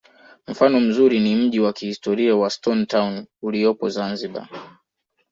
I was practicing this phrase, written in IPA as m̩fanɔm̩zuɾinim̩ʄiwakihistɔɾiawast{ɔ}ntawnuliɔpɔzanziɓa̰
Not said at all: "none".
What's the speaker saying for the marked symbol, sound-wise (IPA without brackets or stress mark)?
ɔ